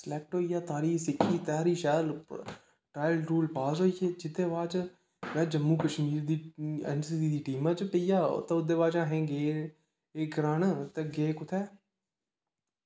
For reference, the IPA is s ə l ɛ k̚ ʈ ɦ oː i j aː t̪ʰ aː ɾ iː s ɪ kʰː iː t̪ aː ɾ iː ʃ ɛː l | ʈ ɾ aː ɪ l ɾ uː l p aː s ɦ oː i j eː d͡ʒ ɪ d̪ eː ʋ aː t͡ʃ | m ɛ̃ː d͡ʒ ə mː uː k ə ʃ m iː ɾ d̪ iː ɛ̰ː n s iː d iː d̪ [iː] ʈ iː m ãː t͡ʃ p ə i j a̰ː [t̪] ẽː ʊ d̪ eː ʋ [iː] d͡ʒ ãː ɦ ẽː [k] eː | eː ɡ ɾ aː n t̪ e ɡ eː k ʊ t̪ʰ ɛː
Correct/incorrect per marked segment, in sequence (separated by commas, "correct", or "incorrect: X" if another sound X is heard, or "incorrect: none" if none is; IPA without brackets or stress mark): correct, correct, incorrect: aː, incorrect: ɡ